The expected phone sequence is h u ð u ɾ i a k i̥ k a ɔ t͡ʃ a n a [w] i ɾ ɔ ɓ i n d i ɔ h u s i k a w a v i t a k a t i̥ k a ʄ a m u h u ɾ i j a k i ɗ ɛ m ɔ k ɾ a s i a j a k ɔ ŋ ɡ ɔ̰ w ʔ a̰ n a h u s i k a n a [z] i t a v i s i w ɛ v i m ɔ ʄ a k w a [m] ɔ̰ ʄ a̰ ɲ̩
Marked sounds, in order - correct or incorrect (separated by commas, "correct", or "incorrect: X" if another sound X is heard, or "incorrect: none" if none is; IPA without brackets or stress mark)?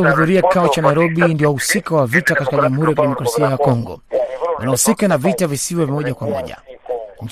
incorrect: none, incorrect: v, correct